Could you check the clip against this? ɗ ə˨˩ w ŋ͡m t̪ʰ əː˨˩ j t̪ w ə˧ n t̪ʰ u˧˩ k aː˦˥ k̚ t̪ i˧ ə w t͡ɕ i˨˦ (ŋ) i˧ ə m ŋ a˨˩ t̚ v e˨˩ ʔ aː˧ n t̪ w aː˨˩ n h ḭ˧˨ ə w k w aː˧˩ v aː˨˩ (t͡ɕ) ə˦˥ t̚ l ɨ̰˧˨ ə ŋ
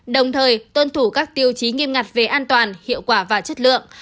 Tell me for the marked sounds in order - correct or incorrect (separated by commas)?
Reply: correct, correct